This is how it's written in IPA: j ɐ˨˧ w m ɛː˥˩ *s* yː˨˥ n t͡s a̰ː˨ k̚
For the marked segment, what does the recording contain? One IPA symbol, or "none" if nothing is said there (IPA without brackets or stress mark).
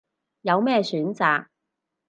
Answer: s